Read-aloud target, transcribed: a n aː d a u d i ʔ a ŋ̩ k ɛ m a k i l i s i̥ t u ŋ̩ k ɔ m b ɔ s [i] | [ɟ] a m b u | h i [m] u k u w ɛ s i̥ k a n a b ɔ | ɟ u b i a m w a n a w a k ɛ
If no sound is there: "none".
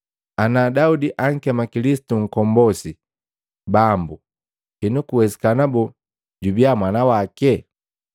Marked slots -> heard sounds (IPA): i, b, n

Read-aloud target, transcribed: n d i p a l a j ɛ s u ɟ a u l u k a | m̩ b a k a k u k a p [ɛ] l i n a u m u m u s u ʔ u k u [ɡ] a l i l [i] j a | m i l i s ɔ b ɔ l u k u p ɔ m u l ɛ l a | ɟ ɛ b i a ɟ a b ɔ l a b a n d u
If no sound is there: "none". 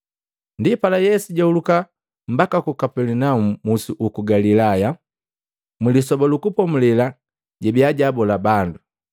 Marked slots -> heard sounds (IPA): ɛ, ɡ, a

